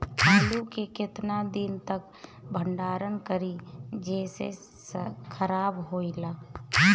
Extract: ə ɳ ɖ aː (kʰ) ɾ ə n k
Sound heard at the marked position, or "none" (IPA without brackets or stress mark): none